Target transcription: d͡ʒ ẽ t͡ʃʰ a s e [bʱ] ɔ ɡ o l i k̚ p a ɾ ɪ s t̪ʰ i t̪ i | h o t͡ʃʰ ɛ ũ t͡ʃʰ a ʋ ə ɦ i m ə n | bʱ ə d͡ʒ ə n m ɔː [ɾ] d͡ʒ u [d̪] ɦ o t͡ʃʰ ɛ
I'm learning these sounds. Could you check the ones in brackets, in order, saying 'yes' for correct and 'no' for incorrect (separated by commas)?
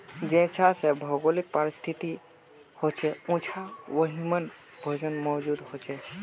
yes, no, yes